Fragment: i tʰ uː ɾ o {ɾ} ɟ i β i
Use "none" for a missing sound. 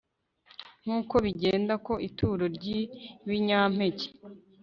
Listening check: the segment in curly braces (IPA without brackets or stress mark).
ɾ